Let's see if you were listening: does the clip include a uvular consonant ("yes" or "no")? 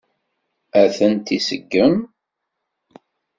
no